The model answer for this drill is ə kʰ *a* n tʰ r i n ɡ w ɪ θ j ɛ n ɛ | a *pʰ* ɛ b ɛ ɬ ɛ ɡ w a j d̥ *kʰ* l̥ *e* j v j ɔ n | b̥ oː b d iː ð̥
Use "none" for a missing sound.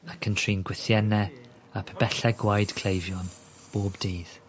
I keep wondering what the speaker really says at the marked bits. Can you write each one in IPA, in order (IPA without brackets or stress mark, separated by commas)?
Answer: ə, pʰ, kʰ, e